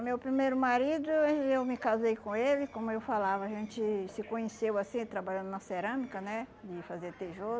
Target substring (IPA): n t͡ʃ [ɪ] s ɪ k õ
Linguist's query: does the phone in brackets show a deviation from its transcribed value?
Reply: no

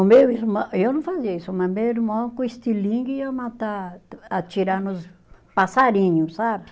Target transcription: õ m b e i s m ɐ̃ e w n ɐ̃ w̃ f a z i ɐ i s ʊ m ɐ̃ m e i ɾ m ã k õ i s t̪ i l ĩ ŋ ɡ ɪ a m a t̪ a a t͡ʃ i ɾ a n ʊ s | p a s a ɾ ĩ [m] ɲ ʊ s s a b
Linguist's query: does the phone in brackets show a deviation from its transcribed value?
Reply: yes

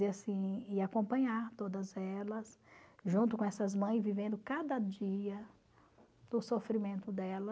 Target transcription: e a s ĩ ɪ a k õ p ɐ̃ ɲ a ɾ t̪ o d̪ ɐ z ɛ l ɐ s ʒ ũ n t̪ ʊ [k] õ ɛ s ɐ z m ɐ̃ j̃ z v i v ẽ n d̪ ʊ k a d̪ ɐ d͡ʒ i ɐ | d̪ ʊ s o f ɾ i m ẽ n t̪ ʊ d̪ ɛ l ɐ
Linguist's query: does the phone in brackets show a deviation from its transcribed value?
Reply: no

